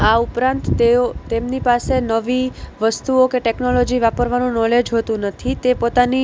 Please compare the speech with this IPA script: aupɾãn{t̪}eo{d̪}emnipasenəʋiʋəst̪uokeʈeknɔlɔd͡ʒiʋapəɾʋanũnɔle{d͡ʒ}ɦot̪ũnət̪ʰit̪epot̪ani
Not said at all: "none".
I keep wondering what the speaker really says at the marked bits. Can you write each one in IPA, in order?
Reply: t̪, t̪, d͡ʒ

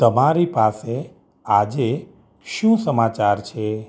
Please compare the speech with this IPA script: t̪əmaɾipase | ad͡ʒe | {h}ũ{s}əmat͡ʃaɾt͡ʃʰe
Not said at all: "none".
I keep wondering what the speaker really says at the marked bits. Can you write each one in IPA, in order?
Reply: ʃ, s

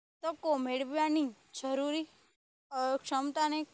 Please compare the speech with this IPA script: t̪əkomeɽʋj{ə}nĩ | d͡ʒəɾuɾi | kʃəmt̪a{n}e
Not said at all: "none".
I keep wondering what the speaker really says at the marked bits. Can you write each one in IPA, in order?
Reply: a, n

